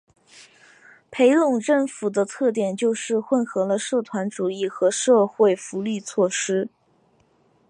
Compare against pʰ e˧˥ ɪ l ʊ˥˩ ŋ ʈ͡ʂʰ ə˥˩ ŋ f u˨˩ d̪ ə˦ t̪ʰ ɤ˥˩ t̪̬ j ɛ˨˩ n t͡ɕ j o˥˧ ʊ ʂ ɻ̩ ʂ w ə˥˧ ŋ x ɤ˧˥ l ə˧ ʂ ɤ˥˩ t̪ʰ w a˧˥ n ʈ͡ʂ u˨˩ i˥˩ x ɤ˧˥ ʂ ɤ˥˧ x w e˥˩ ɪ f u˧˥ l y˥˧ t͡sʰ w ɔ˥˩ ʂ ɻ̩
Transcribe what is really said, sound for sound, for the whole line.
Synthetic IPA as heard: pʰ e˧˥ ɪ l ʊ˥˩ ŋ ʈ͡ʂ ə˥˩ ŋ f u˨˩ d̪ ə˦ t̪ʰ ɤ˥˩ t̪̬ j ɛ˨˩ n t͡ɕ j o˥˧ ʊ ʂ ɻ̩ x w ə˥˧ n x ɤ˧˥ l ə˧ ʂ ɤ˥˩ t̪ʰ w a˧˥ n ʈ͡ʂ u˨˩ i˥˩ x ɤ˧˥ ʂ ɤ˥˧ x w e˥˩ ɪ f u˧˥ l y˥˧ t͡sʰ w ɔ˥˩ ʂ ɻ̩

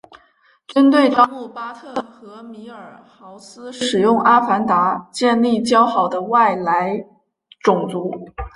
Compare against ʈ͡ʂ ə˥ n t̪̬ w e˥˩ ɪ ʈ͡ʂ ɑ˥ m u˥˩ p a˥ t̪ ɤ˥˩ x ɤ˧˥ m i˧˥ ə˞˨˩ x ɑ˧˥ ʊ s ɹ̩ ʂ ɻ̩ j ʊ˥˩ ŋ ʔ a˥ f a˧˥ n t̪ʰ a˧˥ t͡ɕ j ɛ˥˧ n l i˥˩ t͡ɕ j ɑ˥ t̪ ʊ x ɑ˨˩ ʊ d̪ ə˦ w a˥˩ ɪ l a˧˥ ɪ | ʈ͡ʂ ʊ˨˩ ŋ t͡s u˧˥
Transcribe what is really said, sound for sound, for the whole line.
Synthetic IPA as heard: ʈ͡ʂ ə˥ n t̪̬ w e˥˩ ɪ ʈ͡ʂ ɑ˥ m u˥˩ p a˥ t̪ʰ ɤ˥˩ x ɤ˧˥ m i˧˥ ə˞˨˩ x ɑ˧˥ ʊ s ɹ̩ ʂ ɻ̩ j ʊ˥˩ ŋ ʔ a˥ f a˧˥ n t̪ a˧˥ t͡ɕ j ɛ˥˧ n l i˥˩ t͡ɕ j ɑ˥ ʊ x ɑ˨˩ ʊ d̪ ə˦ w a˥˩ ɪ l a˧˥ ɪ | ʈ͡ʂ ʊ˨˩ ŋ t͡s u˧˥

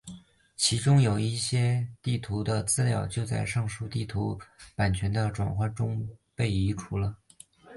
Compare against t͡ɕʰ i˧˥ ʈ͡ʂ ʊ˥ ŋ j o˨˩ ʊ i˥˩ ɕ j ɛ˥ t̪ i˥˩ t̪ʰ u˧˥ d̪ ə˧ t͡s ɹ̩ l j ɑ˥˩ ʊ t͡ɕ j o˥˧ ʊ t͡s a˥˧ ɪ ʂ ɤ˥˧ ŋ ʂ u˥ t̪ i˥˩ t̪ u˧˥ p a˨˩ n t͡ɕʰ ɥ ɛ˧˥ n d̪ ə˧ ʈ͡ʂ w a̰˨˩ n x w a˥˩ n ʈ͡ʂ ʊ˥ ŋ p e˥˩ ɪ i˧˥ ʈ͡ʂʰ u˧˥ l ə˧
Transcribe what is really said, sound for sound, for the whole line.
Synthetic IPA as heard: t͡ɕʰ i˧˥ ʈ͡ʂ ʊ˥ ŋ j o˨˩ ʊ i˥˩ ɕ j ɛ˥ t̪ i˥˩ t̪ʰ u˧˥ d̪ ə˧ t͡s ɹ̩ l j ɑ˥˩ ʊ t͡ɕ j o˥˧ ʊ t͡s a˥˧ ɪ ʂ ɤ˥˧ ŋ ʂ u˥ t̪ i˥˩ t̪ʰ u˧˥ p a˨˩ n t͡ɕʰ ɥ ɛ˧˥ n d̪ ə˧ ʈ͡ʂ w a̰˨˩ n x w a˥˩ n ʈ͡ʂ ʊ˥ ŋ p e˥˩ ɪ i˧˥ ʈ͡ʂʰ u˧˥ l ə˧

